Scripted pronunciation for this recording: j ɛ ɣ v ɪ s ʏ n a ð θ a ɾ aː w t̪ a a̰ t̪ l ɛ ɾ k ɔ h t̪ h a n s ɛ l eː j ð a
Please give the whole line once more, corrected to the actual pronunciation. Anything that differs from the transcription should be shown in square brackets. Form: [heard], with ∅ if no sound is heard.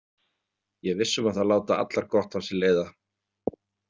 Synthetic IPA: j ɛ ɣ v ɪ [sː] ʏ [m] a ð θ a [l] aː w t̪ a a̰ t̪ l [a] ɾ k ɔ h t̪ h a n s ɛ l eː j ð a